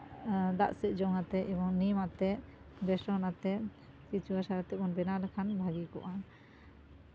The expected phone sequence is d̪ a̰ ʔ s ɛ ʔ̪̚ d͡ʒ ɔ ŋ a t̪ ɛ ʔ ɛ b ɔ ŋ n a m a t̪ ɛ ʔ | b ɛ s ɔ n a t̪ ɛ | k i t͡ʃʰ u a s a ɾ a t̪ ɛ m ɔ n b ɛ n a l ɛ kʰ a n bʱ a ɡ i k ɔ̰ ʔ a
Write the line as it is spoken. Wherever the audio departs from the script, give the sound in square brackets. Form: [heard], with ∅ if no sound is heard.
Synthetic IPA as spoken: d̪ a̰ ʔ s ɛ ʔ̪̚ d͡ʒ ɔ ŋ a t̪ ɛ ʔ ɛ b ɔ ŋ n [i] m a t̪ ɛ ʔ | b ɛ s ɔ n a t̪ ɛ | k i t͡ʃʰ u a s a ɾ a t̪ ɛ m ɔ n b ɛ n a l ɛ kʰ a n bʱ a ɡ i k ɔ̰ ʔ a